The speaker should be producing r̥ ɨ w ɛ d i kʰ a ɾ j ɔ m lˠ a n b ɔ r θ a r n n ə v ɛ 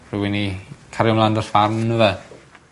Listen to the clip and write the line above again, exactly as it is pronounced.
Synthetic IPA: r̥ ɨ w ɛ n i kʰ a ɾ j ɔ m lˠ a n d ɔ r f a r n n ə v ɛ